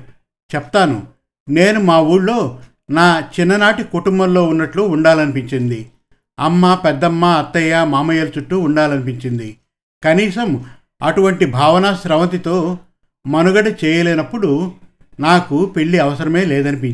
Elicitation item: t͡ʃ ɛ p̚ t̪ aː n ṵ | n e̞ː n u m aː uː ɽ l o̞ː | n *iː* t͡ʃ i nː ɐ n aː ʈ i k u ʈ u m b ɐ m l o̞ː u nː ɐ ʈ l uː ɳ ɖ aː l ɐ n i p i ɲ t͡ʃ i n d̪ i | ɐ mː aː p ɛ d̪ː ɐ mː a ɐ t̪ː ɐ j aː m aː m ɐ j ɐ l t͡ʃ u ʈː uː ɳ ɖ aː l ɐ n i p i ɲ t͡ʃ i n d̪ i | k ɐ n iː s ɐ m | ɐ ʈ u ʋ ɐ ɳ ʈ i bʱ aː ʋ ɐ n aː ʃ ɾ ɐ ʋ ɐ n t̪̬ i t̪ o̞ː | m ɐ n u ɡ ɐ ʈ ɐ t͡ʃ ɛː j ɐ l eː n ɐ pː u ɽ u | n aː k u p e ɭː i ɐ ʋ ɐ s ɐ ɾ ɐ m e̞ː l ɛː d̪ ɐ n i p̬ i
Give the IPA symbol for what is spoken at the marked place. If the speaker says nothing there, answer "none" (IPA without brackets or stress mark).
aː